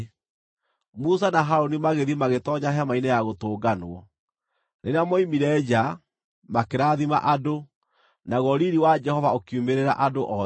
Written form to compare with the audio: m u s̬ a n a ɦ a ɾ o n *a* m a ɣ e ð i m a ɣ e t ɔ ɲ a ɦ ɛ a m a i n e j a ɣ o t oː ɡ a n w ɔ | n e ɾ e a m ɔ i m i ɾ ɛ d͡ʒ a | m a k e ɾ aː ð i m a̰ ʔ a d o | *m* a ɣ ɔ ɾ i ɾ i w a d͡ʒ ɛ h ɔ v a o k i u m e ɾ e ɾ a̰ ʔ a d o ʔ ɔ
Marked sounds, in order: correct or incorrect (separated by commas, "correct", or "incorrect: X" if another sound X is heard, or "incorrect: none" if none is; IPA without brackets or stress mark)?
incorrect: i, incorrect: n